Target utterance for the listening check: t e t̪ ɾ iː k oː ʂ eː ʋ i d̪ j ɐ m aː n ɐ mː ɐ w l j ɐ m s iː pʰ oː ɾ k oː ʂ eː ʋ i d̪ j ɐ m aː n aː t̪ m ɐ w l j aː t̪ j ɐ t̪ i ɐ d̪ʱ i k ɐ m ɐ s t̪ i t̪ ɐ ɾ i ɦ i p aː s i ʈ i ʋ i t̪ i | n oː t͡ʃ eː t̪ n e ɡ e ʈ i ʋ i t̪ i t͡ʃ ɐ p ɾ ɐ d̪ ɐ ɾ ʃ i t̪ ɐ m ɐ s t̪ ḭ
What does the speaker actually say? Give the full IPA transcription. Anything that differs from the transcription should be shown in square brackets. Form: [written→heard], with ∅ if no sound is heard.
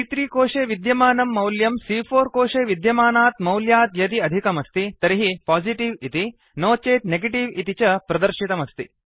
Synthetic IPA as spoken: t [e→i] t̪ ɾ iː k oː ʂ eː ʋ i d̪ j ɐ m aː n ɐ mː ɐ w l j ɐ m s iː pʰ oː ɾ k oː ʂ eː ʋ i d̪ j ɐ m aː n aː t̪ m ɐ w l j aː t̪ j ɐ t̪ i ɐ d̪ʱ i k ɐ m ɐ s t̪ i t̪ ɐ ɾ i ɦ i p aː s i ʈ i ʋ i t̪ i | n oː t͡ʃ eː t̪ n e ɡ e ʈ i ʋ i t̪ i t͡ʃ ɐ p ɾ ɐ d̪ ɐ ɾ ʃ i t̪ ɐ m ɐ s t̪ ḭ